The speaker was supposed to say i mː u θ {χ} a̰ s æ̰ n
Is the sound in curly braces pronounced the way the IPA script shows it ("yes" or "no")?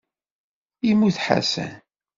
no